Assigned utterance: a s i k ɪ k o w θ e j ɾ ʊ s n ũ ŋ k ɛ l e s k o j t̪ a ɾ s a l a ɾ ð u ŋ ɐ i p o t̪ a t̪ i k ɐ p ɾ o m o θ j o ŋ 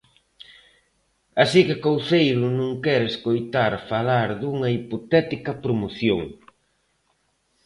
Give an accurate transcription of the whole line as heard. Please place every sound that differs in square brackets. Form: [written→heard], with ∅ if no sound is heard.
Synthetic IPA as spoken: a s i k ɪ k o w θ e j ɾ ʊ [s→∅] n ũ ŋ k ɛ [l→ɾ] e s k o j t̪ a ɾ [s→f] a l a ɾ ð u ŋ ɐ i p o t̪ [a→ɛ] t̪ i k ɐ p ɾ o m o θ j o ŋ